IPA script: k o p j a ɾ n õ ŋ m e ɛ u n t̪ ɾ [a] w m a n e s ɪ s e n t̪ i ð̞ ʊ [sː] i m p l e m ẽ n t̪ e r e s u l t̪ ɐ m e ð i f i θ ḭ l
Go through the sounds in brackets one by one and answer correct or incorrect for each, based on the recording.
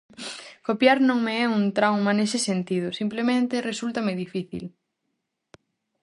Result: correct, incorrect: s

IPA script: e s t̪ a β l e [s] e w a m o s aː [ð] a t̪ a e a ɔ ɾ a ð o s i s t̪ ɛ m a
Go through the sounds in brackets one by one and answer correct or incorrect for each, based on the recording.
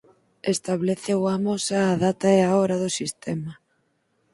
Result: incorrect: θ, correct

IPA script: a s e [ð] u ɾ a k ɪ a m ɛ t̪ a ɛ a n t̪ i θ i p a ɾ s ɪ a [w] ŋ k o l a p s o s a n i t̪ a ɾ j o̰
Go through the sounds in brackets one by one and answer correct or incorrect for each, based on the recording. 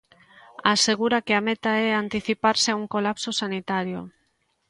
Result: incorrect: ɣ, incorrect: u

